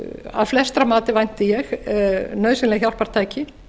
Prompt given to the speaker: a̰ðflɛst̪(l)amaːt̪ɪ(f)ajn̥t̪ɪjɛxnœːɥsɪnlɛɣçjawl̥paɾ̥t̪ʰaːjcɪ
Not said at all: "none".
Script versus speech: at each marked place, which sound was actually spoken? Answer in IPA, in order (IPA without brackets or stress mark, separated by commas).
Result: ɾ, v